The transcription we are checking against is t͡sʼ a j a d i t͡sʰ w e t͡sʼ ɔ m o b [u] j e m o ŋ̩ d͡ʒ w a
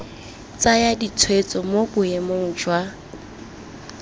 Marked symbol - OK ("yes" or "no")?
no